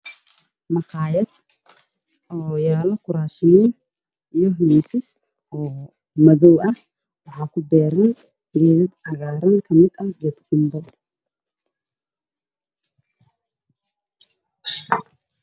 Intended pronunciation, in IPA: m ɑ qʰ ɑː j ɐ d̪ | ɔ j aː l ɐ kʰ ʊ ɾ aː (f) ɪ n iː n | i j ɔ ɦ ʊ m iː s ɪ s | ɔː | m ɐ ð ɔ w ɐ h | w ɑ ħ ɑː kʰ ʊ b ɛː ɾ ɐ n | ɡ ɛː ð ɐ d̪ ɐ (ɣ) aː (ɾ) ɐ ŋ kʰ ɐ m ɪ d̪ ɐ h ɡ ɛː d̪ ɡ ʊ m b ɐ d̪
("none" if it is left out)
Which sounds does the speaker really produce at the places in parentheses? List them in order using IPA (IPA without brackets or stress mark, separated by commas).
ʃ, ɣ, ɾ